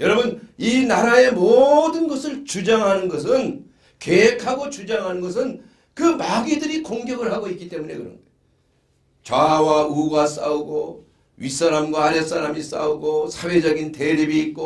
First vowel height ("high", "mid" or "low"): mid